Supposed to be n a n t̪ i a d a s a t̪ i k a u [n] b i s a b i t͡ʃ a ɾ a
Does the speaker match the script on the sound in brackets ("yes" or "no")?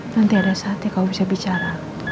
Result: no